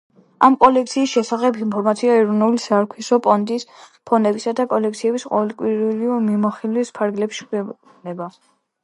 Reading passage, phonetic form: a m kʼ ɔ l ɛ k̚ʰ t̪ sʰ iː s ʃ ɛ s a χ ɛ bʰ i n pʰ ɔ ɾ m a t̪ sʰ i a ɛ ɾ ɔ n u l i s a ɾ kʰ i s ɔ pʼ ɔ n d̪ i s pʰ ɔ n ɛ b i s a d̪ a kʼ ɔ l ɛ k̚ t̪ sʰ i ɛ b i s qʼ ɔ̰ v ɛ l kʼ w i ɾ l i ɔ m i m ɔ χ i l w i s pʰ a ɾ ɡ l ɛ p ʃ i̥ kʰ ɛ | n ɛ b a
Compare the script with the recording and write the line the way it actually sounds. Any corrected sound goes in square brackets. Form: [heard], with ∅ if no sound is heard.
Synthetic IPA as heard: a m kʼ ɔ l ɛ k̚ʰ t̪ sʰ iː s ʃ ɛ s a χ ɛ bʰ i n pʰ ɔ ɾ m a t̪ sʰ i a ɛ ɾ ɔ n u l i s a ɾ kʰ i s ɔ pʼ ɔ n d̪ i s pʰ ɔ n ɛ b i s a d̪ a kʼ ɔ l ɛ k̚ t̪ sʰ i ɛ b i s qʼ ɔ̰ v ɛ l kʼ w i ɾ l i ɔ m i m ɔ χ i l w i s pʰ a ɾ ɡ l ɛ p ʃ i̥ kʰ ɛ | n ɛ b a